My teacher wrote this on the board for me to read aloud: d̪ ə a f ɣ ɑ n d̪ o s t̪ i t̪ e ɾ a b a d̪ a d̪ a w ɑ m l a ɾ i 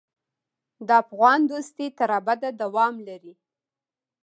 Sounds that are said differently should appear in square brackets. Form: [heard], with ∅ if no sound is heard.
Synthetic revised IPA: d̪ ə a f ɣ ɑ n d̪ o s t̪ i t̪ [a] ɾ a b a d̪ a d̪ a w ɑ m l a ɾ i